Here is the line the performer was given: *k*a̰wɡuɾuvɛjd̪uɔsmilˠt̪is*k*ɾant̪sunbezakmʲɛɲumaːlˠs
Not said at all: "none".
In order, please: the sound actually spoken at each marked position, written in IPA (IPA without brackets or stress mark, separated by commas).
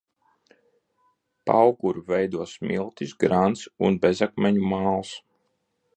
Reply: p, ɡ